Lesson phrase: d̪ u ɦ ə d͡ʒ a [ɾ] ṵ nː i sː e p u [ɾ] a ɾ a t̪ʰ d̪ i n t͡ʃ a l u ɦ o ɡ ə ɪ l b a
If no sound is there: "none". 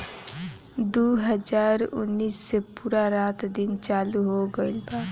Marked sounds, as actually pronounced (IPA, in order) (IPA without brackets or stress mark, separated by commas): ɾ, ɾ